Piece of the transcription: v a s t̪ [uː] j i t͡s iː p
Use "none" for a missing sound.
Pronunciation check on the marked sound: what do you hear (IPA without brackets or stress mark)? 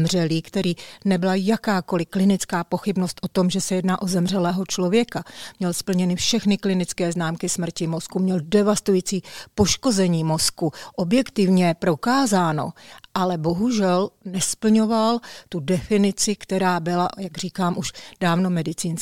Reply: u